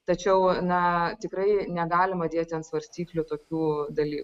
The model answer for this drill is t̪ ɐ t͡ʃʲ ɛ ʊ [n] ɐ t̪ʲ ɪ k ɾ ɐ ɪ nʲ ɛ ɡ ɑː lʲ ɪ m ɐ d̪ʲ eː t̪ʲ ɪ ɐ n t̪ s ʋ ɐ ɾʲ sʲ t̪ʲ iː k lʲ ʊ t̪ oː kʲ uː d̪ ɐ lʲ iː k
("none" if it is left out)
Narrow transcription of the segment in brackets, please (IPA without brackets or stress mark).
n